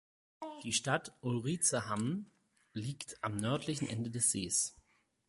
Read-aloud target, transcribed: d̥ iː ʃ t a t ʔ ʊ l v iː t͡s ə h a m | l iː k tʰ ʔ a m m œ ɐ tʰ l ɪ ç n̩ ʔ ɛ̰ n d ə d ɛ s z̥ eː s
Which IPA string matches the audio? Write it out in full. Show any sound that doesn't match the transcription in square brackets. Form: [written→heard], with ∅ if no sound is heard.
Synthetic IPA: d̥ iː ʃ t a t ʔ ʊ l [v→ʁ] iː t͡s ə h a m | l iː k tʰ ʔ a m [m→n] œ ɐ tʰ l ɪ ç n̩ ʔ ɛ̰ n d ə d ɛ s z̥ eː s